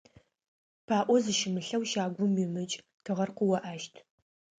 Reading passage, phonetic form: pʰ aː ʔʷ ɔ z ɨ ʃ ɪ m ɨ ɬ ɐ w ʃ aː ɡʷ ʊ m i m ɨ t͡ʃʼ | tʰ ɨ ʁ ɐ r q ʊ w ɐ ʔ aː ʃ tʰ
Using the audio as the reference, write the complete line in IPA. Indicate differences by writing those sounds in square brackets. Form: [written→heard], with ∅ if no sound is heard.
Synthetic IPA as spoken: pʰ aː ʔʷ ɔ z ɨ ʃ ɪ m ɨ ɬ ɐ w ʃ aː ɡʷ ʊ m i m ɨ t͡ʃʼ | tʰ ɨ ʁ ɐ r q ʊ w ɐ ʔ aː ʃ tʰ